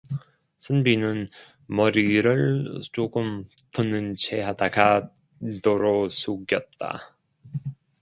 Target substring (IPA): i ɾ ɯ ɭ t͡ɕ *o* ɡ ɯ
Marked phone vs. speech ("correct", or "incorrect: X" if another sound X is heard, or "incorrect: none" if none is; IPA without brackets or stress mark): correct